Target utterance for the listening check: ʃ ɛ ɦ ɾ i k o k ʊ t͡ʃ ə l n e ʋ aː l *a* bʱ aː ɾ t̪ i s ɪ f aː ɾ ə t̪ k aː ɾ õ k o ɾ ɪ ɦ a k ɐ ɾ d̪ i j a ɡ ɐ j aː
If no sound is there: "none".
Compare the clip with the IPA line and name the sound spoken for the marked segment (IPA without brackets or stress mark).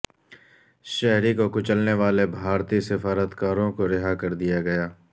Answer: e